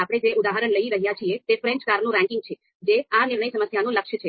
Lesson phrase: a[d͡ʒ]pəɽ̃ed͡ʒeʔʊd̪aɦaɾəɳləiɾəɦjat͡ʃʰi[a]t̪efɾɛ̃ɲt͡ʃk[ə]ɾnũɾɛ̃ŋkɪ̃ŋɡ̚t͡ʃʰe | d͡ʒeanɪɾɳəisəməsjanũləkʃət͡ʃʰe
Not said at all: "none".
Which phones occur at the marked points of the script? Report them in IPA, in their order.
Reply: none, e, a

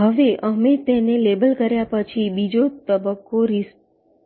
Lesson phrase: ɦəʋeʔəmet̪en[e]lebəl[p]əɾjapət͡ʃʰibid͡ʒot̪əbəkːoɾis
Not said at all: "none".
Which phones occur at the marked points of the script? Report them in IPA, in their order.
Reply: e, k

